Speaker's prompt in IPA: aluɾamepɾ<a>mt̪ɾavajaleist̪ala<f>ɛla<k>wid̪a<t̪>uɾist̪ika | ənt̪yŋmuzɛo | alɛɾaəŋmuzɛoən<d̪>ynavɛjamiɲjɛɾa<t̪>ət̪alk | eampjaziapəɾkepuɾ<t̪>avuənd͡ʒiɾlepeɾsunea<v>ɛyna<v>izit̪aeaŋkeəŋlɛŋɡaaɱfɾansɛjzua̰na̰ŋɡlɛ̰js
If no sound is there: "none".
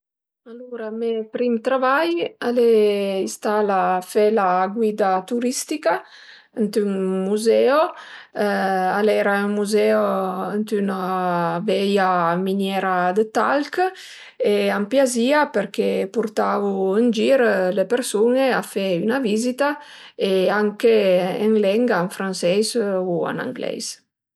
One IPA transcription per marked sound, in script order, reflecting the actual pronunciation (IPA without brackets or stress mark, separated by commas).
i, f, ɡ, t̪, t̪, d̪, t̪, f, v